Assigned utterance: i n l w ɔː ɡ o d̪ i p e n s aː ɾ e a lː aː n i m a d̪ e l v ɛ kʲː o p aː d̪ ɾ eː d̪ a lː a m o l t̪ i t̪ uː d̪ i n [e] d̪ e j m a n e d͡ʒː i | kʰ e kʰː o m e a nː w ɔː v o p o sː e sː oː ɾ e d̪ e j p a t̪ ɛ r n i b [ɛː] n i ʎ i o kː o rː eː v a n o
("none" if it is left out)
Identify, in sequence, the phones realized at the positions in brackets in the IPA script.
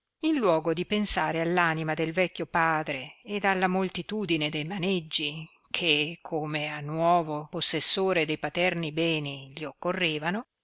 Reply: e, ɛː

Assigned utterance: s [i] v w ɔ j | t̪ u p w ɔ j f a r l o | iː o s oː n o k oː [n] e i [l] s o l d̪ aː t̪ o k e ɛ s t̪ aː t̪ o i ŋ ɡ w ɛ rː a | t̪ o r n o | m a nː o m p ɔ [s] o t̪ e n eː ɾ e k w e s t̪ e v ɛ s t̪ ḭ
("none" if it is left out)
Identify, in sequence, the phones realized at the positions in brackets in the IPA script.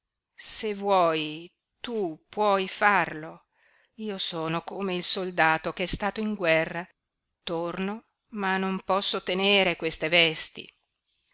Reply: e, m, l, sː

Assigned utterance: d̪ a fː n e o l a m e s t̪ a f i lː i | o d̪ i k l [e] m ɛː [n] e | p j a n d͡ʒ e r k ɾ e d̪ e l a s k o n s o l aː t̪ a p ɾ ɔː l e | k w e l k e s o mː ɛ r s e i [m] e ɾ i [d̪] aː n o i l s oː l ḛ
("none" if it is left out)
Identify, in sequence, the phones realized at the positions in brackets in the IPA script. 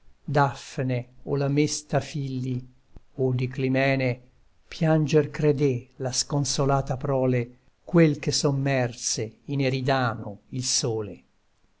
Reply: i, n, n, d̪

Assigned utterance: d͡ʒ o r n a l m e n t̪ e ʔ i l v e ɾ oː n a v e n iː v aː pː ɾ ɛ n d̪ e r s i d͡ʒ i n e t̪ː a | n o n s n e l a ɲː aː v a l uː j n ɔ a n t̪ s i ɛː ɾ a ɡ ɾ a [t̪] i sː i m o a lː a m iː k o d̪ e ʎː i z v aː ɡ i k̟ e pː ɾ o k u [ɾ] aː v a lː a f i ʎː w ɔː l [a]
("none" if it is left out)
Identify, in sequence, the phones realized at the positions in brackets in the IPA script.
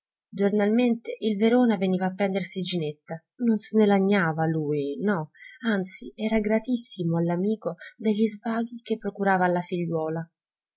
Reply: t̪, ɾ, a

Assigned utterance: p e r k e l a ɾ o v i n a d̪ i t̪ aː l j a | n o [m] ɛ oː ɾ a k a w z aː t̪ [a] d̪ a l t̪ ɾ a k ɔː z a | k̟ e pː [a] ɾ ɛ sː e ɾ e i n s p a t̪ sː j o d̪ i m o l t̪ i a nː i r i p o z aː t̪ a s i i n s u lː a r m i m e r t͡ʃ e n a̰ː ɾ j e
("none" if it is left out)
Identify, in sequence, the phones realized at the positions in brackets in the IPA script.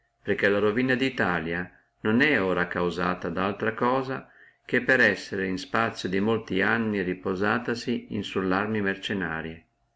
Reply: n, a, e

